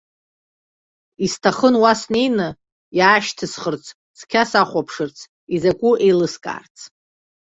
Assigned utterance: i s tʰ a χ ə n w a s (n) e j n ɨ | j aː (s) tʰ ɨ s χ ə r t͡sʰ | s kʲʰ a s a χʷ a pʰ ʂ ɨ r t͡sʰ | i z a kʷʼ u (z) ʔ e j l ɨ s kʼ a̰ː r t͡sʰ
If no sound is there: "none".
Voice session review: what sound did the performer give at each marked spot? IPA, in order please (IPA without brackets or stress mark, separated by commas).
n, ʃ, none